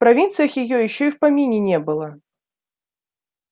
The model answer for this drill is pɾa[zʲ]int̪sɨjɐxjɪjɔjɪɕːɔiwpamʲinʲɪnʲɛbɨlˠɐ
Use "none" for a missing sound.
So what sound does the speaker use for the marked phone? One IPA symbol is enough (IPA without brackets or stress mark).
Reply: vʲ